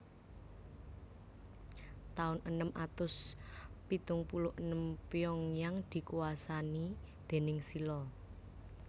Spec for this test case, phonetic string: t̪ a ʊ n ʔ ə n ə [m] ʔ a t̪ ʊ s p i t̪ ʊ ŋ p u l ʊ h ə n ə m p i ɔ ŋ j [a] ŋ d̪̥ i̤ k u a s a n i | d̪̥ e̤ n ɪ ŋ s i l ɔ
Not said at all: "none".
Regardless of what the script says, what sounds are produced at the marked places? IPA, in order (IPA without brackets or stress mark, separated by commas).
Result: m, a